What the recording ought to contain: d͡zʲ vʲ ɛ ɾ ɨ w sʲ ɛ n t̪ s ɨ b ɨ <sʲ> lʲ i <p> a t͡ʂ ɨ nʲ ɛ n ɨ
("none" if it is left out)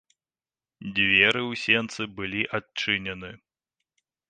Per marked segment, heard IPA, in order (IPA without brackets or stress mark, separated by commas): none, ʔ